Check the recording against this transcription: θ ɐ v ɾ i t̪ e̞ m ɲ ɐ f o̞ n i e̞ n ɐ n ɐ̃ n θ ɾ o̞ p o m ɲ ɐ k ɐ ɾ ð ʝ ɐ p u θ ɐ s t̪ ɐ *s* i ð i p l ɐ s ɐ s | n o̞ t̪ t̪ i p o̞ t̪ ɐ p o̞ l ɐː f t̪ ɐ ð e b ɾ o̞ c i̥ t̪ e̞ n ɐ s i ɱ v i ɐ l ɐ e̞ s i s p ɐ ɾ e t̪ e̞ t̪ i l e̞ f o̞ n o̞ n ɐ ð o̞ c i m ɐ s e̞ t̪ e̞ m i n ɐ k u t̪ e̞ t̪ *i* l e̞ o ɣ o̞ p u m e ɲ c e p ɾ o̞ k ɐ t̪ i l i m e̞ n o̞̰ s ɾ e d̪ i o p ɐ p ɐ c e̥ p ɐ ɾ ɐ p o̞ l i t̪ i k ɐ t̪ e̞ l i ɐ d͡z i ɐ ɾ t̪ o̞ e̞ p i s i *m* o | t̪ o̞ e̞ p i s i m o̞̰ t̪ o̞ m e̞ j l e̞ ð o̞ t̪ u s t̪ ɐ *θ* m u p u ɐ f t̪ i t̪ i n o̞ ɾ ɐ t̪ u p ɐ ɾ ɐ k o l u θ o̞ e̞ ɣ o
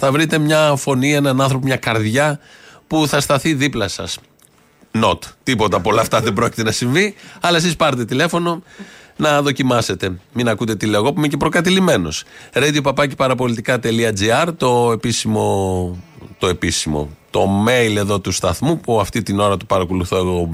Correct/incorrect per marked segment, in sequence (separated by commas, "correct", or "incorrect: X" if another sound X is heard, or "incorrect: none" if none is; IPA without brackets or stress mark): incorrect: θ, correct, correct, correct